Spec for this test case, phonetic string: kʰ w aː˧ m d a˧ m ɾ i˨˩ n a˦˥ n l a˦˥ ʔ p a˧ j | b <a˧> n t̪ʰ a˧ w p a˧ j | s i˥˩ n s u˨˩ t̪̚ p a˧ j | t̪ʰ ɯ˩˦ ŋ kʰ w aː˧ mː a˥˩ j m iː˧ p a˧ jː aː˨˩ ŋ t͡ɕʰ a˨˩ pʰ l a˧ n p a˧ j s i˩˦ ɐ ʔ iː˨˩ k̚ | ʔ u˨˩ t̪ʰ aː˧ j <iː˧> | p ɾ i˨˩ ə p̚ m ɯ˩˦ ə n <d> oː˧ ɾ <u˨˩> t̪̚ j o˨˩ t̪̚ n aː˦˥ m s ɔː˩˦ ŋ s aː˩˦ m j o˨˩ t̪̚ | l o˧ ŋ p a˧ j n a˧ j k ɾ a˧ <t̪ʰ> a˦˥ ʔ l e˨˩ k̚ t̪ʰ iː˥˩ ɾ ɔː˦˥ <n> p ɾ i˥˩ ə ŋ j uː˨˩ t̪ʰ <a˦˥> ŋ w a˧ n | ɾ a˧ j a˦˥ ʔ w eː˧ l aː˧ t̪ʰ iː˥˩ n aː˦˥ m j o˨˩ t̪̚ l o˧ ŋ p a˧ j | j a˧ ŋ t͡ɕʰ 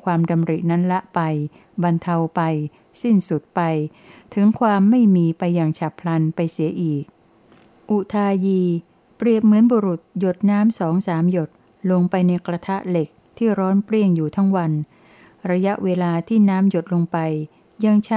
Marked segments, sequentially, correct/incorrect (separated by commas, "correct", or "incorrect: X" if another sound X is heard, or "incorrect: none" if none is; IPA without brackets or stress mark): correct, correct, incorrect: b, correct, correct, correct, correct